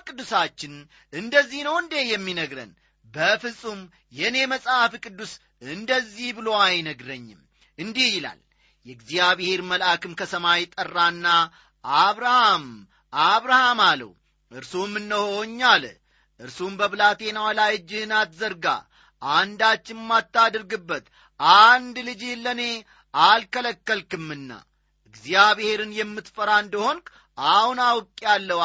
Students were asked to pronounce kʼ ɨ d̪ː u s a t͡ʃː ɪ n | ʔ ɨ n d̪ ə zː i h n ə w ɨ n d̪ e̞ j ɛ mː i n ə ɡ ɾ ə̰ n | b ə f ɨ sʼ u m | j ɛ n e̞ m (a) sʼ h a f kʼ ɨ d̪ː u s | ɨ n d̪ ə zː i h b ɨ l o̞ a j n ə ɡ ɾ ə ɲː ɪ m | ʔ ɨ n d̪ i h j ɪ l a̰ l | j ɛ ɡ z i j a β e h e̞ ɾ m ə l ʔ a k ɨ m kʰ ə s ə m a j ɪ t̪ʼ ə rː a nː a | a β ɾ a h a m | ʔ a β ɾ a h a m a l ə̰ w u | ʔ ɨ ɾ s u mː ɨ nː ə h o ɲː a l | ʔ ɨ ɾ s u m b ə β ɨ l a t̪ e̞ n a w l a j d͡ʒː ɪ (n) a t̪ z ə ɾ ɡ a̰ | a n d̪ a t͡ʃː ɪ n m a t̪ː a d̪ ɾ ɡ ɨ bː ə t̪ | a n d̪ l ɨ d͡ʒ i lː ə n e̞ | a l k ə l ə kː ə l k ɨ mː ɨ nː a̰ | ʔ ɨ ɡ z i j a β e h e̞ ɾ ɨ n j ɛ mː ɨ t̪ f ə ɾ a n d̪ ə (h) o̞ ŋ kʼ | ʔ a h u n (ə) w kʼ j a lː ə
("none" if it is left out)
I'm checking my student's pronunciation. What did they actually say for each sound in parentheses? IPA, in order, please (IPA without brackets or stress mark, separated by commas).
ə, n, h, a